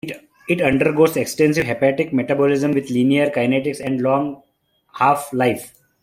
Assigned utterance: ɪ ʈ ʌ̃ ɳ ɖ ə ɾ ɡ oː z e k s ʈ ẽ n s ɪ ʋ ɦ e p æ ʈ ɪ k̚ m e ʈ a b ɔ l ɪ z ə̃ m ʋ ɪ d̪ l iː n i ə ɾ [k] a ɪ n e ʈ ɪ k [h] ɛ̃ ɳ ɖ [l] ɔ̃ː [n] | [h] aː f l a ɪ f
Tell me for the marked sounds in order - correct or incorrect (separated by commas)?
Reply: correct, incorrect, correct, incorrect, correct